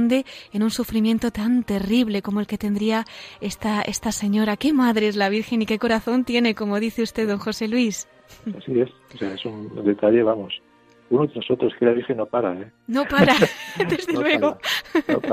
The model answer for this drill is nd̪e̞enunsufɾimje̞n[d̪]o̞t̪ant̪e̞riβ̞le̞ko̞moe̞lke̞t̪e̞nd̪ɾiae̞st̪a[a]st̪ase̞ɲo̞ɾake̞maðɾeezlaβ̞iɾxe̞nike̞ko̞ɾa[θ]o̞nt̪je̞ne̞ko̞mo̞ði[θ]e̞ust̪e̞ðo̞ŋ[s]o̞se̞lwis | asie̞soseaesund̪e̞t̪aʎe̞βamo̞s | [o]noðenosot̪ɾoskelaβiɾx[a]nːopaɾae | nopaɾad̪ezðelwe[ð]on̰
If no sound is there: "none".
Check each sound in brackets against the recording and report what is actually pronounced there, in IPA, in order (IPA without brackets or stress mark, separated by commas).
t̪, e, θ, θ, x, u, e, ɣ